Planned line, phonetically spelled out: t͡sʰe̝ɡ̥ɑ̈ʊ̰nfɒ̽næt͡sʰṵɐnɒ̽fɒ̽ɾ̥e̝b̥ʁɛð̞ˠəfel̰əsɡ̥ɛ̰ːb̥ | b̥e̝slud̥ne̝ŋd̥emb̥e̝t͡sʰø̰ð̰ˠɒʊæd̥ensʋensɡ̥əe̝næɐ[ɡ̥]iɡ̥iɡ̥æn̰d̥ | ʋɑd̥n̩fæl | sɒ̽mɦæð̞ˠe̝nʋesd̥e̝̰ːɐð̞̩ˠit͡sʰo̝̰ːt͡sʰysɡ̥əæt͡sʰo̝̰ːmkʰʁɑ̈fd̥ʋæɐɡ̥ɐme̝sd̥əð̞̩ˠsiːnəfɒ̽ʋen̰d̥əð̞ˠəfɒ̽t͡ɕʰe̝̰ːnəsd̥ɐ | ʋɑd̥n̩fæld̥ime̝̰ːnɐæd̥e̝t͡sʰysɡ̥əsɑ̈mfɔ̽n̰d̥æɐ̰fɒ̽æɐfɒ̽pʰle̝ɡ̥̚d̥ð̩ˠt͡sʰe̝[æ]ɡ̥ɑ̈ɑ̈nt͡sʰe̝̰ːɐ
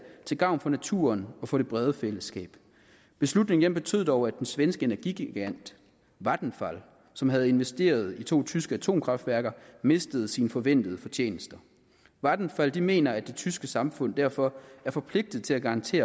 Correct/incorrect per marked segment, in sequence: correct, correct

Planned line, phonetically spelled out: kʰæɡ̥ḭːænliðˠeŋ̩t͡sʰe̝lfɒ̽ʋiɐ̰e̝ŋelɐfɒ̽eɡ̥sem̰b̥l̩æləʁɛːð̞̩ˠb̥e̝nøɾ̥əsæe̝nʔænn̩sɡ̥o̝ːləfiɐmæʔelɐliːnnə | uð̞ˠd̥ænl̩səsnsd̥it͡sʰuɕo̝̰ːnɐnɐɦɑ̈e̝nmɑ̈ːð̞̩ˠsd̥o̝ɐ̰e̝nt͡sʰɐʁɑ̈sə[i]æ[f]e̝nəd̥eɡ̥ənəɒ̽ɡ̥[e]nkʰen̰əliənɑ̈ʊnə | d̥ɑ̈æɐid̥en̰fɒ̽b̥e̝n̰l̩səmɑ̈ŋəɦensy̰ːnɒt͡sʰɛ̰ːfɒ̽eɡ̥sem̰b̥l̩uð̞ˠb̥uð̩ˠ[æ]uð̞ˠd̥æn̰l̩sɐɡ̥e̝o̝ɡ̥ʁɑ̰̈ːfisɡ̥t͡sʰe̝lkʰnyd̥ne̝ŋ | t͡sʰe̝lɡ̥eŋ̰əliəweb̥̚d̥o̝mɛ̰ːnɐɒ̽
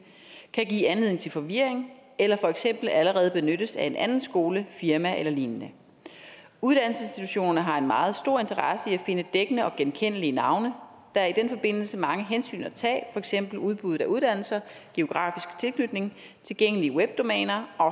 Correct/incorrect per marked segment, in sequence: correct, correct, correct, correct

